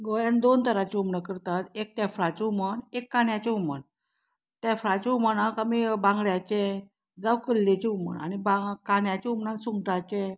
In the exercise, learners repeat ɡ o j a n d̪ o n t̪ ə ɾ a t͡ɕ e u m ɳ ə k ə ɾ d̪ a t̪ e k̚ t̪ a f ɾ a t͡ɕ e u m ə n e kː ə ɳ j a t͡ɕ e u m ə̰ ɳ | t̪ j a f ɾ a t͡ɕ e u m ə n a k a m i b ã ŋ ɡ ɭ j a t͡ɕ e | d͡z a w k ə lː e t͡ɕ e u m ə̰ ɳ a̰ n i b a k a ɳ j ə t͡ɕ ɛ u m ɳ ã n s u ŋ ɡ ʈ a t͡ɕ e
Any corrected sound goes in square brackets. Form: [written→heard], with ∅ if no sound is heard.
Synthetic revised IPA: ɡ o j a n d̪ o n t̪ ə ɾ a t͡ɕ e u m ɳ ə k ə ɾ [d̪→t̪] a t̪ e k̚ t̪ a f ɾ a t͡ɕ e u m ə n e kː [ə→a] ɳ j a t͡ɕ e u m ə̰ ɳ | t̪ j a f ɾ a t͡ɕ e u m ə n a k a m i b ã ŋ ɡ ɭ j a t͡ɕ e | d͡z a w k ə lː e t͡ɕ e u m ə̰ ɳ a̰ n i b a k a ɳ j [ə→a] t͡ɕ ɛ u m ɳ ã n s u ŋ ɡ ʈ a t͡ɕ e